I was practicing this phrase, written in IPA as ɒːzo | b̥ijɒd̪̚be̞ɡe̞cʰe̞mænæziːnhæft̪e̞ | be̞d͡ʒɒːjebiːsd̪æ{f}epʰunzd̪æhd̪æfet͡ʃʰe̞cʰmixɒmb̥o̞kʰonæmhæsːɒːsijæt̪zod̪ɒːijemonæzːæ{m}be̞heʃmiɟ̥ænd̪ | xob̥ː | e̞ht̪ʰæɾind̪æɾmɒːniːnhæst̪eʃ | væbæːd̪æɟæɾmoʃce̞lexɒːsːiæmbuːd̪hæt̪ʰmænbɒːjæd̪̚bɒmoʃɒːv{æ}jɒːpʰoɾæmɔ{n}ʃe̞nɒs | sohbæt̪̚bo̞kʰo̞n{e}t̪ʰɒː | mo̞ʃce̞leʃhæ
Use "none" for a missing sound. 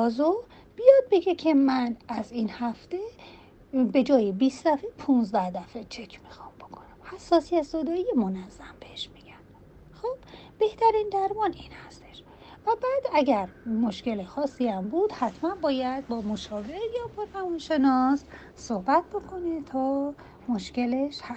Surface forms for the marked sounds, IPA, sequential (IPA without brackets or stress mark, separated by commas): f, m, e, n, e